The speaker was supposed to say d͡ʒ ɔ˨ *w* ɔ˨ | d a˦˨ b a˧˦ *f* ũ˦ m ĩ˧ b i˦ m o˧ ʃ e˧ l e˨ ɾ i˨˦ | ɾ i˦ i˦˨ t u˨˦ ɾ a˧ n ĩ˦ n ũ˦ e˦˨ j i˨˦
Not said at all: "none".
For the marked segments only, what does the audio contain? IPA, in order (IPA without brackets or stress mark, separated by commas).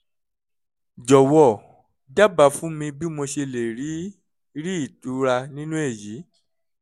w, f